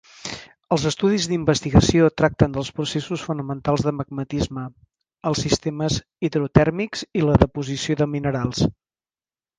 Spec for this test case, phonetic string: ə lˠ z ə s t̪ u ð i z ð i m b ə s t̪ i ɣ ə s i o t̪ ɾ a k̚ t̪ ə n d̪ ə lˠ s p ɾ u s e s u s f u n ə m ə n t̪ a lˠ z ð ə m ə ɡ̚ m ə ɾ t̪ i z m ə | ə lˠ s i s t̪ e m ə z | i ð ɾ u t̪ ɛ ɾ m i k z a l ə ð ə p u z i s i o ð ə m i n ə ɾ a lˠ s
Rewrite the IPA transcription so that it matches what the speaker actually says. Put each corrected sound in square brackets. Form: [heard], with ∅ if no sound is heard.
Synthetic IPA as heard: ə lˠ z ə s t̪ u ð i z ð i m b ə s t̪ i ɣ ə s i o t̪ ɾ a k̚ t̪ ə n d̪ ə lˠ s p ɾ u s e s u s f u n ə m ə n t̪ a lˠ z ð ə m ə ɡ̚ m ə [∅] t̪ i z m ə | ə lˠ s i s t̪ e m ə z | i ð ɾ u t̪ ɛ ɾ m i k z [i] l ə ð ə p u z i s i o ð ə m i n ə ɾ a lˠ s